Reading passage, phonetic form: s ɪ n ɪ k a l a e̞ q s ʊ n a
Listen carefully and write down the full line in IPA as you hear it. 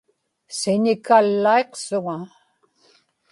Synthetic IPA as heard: s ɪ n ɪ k a lː a e̞ q s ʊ ŋ a